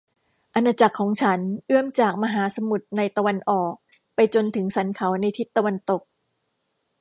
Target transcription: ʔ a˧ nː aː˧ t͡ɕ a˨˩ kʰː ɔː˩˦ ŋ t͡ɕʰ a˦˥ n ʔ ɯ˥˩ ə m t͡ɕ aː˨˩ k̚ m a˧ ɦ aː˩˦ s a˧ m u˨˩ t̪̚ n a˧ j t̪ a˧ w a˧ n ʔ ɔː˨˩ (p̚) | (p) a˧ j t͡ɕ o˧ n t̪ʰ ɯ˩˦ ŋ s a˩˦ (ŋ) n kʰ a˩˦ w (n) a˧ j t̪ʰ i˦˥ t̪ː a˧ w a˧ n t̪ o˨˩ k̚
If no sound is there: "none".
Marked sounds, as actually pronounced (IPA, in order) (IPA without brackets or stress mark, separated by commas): k̚, p, none, n